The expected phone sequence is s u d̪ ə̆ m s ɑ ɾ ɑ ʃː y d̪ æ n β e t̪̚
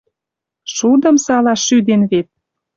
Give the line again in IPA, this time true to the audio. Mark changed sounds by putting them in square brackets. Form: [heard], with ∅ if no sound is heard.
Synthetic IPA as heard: [ʃ] u d̪ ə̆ m s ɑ [l] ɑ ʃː y d̪ [e] n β e t̪̚